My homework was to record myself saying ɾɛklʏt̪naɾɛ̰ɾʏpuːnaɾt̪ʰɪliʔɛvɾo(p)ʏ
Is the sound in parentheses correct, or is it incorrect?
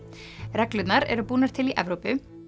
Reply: correct